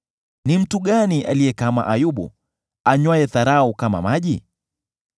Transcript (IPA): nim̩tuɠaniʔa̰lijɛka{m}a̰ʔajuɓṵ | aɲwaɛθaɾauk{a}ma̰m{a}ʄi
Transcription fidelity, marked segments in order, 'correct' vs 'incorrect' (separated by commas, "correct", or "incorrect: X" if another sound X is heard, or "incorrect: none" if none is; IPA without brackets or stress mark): correct, correct, correct